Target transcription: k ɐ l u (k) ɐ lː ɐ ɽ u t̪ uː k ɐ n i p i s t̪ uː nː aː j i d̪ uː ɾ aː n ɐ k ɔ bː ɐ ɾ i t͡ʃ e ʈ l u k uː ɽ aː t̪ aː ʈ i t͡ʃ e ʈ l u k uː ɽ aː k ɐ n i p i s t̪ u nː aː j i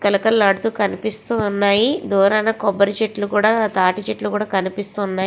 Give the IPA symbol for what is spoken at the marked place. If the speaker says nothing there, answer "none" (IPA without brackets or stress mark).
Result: k